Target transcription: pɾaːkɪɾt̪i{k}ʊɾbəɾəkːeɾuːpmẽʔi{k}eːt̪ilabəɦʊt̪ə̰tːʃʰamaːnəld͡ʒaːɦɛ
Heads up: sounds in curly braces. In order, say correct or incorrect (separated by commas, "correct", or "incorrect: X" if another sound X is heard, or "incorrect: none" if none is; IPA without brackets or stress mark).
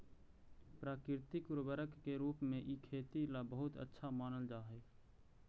correct, incorrect: kʰ